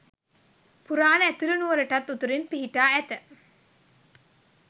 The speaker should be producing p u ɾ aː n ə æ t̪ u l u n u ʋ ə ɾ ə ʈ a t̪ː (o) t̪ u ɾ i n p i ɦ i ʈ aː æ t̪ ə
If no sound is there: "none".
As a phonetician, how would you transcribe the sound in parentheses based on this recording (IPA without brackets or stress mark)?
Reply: u